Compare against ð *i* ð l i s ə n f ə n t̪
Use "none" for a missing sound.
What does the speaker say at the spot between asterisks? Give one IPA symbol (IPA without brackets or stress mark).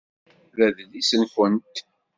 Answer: æ